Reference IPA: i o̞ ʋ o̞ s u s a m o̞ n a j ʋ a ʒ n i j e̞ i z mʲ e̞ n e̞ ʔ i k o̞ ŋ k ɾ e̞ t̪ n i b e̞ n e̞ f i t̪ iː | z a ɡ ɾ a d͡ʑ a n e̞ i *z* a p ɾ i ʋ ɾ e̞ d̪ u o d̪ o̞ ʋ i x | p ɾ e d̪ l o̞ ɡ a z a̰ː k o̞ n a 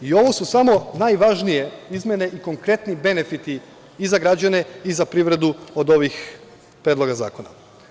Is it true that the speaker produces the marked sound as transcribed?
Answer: yes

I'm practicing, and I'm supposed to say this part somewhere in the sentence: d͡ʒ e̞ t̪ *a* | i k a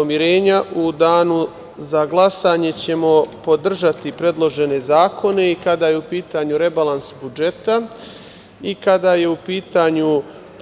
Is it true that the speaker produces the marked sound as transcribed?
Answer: yes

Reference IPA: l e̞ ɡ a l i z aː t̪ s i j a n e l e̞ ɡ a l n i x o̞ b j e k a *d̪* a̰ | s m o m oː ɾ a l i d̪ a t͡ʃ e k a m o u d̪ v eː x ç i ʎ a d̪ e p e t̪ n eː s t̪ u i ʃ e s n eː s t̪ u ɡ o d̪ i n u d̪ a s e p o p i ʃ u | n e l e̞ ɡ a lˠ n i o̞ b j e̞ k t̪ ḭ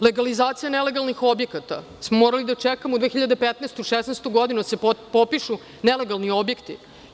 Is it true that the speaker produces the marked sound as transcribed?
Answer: no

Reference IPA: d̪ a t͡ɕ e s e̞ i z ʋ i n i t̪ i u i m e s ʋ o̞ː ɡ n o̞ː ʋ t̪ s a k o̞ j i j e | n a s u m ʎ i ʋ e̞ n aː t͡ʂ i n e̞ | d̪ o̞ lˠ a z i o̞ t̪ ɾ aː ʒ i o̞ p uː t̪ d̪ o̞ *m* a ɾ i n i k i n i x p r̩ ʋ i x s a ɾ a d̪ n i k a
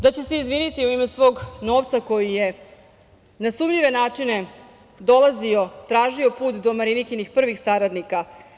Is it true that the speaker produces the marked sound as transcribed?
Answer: yes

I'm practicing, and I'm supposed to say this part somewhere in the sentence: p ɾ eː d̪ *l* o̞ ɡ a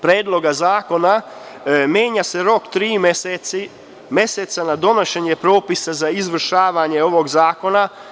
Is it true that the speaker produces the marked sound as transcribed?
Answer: yes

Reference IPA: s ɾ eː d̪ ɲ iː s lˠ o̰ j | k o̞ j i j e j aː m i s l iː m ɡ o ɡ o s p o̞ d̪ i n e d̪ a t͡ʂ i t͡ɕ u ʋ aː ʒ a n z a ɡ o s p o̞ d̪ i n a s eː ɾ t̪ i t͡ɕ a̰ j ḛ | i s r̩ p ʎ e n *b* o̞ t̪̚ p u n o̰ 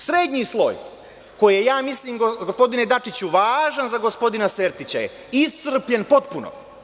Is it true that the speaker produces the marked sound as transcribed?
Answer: no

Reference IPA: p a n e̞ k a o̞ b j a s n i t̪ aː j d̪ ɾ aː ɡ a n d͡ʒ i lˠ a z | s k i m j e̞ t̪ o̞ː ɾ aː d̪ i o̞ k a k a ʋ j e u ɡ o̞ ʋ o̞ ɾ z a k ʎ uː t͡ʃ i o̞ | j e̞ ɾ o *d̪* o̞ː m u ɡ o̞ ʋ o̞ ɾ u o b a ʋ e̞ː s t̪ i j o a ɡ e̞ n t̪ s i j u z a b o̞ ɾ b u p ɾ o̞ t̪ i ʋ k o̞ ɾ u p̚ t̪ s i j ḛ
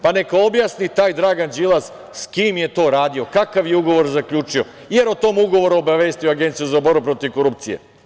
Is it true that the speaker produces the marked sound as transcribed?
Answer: no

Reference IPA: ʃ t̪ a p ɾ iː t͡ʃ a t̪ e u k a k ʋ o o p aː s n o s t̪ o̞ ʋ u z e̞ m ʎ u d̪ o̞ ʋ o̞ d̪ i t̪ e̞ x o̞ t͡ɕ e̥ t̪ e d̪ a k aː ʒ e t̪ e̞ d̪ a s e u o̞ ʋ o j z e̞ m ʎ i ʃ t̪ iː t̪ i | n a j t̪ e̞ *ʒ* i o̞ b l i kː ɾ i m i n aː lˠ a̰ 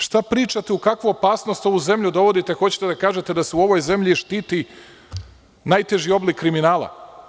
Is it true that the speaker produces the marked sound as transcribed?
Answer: yes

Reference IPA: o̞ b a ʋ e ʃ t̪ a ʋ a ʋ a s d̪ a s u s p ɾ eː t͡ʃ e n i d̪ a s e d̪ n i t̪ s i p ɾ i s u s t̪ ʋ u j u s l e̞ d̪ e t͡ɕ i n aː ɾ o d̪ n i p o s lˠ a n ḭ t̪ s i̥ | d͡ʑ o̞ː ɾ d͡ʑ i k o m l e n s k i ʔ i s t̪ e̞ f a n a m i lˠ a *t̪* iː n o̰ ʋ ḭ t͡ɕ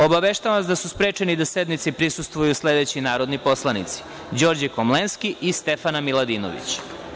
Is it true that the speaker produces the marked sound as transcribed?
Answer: no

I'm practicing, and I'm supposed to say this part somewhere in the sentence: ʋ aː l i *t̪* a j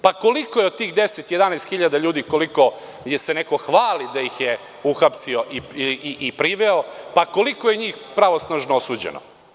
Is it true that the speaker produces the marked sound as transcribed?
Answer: no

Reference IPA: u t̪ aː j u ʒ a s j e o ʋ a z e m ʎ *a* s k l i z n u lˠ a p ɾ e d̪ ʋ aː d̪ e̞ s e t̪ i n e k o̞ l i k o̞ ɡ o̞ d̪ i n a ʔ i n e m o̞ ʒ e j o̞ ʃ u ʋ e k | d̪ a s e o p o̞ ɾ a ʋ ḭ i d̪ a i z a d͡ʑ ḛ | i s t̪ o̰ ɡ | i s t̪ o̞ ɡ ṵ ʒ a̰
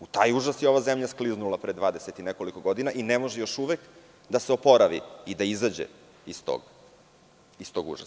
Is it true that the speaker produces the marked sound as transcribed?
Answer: yes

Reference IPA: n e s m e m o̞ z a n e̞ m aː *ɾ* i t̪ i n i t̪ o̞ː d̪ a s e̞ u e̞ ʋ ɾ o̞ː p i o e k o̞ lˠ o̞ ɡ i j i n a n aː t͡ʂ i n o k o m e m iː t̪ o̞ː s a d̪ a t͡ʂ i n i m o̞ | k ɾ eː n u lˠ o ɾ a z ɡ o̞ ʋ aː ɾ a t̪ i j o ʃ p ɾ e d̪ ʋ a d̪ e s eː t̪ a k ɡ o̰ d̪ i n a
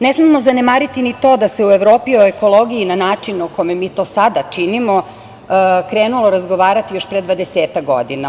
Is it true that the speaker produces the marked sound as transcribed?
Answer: yes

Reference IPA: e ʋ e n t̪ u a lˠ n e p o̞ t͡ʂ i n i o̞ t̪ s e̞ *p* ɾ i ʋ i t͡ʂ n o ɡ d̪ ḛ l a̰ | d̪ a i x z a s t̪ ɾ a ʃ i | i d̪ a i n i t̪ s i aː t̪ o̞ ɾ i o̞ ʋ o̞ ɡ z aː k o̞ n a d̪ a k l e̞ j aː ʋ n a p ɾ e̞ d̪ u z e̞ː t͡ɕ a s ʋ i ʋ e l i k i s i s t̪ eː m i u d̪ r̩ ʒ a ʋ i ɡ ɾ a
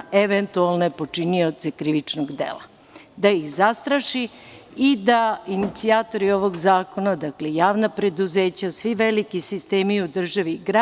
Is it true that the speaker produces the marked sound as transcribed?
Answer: no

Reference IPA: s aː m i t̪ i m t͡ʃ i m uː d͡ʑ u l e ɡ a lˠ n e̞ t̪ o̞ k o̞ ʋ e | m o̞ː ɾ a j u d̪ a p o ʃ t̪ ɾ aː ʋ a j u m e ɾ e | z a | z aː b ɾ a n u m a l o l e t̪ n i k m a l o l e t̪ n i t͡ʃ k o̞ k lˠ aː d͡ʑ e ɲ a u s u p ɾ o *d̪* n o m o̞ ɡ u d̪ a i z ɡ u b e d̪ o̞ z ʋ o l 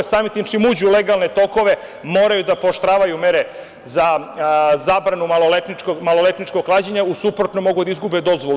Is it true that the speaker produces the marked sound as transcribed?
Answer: no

